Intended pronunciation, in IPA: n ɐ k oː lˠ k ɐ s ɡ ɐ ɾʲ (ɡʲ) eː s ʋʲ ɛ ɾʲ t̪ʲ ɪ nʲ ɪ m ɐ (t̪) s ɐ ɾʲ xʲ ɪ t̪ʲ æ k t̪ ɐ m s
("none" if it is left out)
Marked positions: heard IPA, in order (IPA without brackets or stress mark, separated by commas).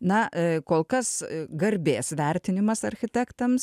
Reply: bʲ, none